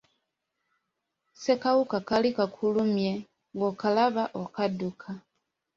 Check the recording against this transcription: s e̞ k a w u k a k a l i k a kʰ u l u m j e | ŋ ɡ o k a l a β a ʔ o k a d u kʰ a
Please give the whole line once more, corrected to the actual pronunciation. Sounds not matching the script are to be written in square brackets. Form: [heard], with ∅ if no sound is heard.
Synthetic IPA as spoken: s e̞ k a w u k a k a l i k a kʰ u l u m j e | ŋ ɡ o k a l a β a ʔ o k a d u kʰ a